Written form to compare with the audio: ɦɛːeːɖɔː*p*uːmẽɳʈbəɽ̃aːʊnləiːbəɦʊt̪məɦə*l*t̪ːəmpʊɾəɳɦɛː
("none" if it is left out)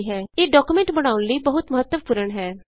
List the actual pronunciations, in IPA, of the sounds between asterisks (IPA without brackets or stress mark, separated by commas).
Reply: k, none